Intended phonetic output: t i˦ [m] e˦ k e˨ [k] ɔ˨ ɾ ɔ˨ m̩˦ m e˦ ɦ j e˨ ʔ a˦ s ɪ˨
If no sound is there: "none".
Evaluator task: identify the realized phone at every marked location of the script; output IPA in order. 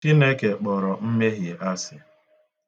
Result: n, k͡p

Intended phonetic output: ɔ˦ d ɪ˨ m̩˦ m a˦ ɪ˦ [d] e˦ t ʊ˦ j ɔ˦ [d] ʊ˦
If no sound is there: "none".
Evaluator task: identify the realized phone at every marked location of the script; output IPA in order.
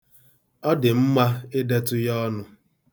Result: d, n

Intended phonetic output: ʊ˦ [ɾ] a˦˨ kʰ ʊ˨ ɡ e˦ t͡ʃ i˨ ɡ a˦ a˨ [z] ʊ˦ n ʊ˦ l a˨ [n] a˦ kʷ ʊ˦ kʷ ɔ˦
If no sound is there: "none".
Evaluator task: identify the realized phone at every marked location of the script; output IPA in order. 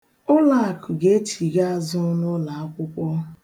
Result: l, z, none

